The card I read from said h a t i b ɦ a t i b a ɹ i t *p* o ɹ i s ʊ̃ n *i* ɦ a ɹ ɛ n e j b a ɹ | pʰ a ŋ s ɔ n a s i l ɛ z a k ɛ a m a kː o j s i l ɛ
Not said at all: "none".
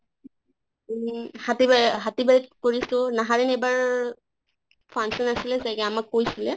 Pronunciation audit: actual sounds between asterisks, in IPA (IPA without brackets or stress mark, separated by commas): k, a